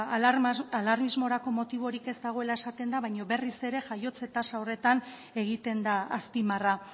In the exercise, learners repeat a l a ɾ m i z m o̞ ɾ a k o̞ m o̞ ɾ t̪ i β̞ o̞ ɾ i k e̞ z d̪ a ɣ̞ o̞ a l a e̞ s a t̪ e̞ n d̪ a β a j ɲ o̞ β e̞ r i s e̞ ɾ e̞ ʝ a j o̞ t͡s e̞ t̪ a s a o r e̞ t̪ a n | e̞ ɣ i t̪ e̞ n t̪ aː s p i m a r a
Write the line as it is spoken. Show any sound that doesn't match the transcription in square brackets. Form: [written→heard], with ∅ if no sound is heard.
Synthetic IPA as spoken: a l a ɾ m i z m o̞ ɾ a k o̞ m o̞ [ɾ→∅] t̪ i β̞ o̞ ɾ i k e̞ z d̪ a ɣ̞ o̞ [a→e] l a e̞ s a t̪ e̞ n d̪ a β a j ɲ o̞ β e̞ r i s e̞ ɾ e̞ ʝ a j o̞ t͡s e̞ t̪ a s a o r e̞ t̪ a n | e̞ ɣ i t̪ e̞ n [t̪→d̪] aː s p i m a r a